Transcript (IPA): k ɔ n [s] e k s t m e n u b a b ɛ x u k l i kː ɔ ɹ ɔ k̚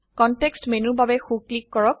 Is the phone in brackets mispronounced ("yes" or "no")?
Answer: yes